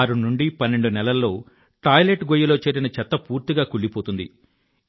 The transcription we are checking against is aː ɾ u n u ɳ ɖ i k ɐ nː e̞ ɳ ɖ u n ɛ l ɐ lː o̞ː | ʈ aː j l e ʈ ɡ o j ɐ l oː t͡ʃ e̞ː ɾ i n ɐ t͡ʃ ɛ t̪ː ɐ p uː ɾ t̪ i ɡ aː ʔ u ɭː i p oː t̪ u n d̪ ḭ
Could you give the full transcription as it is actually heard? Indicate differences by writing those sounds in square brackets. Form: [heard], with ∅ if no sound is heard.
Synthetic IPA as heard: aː ɾ u n u ɳ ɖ i [p] ɐ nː e̞ ɳ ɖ u n ɛ l ɐ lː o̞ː | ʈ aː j l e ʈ ɡ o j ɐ l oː t͡ʃ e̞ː ɾ i n ɐ t͡ʃ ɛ t̪ː ɐ p uː ɾ t̪ i ɡ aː [k] u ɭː i p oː t̪ u n d̪ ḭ